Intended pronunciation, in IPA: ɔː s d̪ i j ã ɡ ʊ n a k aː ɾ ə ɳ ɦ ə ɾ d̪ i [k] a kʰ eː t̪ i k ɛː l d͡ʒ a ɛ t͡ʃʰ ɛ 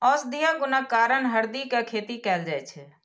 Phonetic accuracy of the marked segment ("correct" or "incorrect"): correct